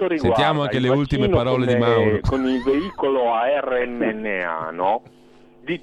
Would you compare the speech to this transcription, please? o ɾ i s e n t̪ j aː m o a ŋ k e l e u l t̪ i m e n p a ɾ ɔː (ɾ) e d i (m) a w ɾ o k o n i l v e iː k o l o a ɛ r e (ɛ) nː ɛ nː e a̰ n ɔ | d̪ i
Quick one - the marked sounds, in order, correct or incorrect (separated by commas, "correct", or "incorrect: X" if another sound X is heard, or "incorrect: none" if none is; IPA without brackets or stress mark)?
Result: incorrect: l, correct, correct